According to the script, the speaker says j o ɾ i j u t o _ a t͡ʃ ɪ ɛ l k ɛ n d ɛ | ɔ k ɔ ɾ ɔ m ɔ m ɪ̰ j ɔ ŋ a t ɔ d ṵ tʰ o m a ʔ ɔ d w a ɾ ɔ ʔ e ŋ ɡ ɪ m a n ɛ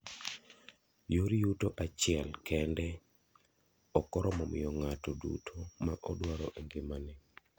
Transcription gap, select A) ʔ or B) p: A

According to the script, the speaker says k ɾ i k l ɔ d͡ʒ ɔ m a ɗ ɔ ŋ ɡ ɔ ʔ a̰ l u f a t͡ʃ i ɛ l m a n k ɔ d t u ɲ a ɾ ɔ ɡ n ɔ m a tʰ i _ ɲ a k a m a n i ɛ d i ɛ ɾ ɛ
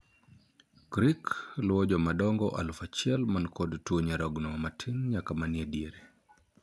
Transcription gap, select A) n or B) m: A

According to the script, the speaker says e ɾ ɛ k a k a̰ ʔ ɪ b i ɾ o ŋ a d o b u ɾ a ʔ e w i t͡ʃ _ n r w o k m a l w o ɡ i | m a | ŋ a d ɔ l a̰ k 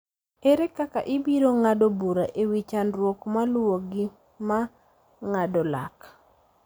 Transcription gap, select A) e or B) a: B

